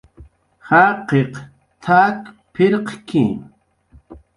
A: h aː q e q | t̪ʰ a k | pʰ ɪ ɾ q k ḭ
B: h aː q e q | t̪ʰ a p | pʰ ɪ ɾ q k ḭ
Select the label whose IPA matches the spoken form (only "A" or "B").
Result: A